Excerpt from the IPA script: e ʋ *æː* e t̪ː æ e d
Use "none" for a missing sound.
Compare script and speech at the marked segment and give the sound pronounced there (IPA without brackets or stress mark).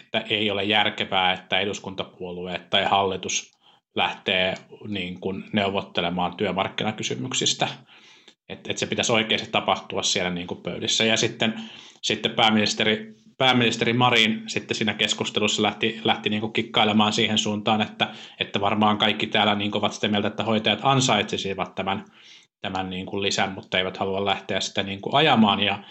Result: æː